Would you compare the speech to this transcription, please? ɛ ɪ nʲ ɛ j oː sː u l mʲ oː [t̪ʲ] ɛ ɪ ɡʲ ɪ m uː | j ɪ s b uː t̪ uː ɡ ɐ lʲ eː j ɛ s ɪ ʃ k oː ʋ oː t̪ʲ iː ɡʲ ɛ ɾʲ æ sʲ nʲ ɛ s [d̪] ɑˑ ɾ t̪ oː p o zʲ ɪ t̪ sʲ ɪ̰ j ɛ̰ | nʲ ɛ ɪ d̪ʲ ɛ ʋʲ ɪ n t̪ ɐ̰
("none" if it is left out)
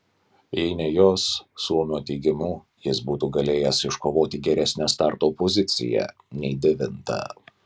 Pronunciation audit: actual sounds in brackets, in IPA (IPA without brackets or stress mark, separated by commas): t̪ʲ, t̪